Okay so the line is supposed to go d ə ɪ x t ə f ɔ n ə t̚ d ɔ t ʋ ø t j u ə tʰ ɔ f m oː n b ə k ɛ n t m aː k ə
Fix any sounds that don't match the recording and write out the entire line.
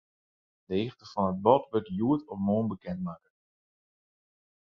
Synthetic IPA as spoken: d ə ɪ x t ə f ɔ n ə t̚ b ɔ t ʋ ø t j u ə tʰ ɔ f m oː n b ə k ɛ n t m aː k ə